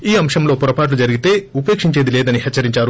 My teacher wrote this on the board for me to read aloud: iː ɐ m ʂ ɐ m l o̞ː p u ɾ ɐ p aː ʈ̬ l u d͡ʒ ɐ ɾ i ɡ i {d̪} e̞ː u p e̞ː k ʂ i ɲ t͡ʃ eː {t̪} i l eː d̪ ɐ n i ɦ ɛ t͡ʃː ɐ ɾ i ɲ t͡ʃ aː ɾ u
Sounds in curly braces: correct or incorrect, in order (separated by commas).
incorrect, incorrect